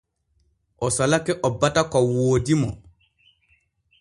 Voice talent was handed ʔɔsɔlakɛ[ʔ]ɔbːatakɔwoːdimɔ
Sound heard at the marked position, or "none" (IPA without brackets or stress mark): ʔ